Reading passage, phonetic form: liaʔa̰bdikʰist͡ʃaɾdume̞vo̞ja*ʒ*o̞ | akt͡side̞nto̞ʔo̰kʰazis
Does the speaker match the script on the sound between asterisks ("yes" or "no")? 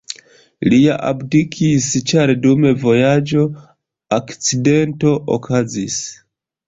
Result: no